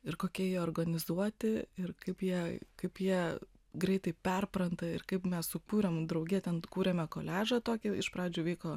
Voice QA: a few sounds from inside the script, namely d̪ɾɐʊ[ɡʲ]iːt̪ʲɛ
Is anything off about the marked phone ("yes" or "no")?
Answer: no